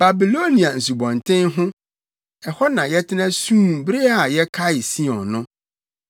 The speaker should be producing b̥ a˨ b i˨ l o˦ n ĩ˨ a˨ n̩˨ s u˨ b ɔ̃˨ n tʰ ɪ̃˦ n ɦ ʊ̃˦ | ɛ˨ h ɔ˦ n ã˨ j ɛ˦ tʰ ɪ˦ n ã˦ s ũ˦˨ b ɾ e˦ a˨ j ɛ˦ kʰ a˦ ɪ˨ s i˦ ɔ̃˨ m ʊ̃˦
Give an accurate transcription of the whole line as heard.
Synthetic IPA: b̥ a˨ b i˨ l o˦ n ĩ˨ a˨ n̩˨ s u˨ b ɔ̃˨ n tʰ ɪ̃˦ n ɦ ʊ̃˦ | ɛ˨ h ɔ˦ n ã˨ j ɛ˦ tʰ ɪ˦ n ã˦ s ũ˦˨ b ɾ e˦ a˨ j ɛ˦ kʰ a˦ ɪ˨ s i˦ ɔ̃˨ n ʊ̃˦